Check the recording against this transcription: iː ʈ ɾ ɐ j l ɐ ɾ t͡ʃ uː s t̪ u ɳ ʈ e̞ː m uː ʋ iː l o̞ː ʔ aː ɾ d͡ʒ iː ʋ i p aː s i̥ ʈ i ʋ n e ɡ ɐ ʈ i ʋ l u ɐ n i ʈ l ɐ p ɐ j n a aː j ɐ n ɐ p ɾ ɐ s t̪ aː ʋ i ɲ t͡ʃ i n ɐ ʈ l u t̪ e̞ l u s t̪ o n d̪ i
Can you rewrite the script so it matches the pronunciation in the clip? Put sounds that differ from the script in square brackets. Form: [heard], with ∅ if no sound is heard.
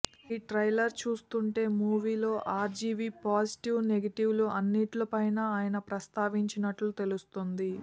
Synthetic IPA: iː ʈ ɾ ɐ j l ɐ ɾ t͡ʃ uː s t̪ u ɳ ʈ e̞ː m uː ʋ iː l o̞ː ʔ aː ɾ d͡ʒ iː ʋ i p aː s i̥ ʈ i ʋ n e ɡ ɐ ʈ i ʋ l u ɐ [nː] i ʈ l ɐ p ɐ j n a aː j ɐ n ɐ p ɾ ɐ s t̪ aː ʋ i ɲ t͡ʃ i n ɐ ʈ l u t̪ e̞ l u s t̪ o n d̪ i